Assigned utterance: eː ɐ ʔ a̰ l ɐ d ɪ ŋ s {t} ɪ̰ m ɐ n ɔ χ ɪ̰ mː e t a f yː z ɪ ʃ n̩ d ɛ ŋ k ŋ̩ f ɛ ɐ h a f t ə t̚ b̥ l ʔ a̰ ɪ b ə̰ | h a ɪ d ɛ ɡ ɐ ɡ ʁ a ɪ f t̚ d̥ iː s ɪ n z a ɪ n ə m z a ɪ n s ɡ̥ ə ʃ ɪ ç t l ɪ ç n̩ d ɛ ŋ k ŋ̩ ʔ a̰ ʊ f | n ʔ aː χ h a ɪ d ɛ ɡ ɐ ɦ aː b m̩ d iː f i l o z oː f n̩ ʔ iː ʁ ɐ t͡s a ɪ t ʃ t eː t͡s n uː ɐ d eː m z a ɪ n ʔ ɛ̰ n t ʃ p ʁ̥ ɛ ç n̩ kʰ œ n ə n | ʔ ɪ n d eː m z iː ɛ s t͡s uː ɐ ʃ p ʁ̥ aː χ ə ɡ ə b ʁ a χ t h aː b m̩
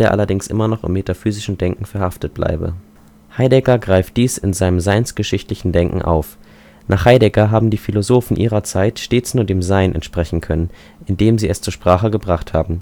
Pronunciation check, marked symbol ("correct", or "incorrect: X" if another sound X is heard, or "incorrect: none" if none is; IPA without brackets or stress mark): incorrect: ʔ